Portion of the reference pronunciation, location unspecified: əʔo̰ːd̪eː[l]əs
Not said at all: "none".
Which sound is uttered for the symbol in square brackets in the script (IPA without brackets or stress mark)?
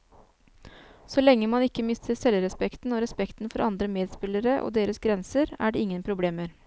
ɾ